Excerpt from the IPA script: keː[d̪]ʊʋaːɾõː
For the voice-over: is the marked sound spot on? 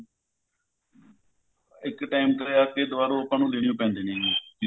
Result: yes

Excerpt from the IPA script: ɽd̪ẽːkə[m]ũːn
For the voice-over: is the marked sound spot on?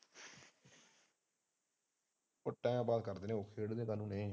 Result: no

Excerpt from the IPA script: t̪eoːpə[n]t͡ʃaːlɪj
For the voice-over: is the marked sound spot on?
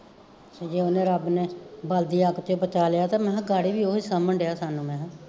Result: no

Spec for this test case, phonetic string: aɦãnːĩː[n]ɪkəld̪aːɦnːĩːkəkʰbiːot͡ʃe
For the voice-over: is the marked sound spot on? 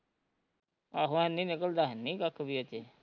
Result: yes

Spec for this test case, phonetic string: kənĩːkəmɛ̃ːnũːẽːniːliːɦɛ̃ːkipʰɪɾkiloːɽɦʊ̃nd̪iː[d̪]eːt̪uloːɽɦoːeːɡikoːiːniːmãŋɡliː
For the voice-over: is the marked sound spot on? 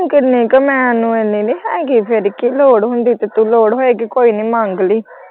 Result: no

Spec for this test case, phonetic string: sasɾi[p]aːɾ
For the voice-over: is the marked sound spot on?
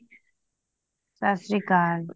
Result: no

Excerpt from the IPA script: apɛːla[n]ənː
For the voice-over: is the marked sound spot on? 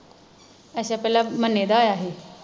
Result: no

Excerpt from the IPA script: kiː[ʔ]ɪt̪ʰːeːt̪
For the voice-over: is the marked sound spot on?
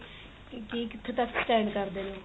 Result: no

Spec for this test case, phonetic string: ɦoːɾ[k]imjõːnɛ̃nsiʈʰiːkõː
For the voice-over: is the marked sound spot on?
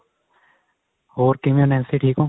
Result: yes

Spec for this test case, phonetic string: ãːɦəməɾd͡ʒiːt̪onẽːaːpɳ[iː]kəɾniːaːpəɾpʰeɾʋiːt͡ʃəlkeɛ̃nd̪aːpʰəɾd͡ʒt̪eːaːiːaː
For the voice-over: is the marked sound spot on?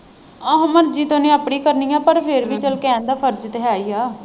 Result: yes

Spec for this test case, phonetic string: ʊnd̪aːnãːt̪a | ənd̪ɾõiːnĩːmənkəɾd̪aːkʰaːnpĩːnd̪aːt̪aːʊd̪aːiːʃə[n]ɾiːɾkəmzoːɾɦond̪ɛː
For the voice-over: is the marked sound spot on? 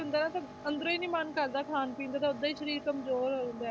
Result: no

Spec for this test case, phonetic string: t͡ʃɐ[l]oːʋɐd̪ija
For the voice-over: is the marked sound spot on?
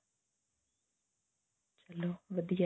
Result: yes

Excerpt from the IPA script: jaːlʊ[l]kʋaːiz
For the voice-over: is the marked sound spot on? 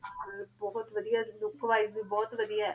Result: no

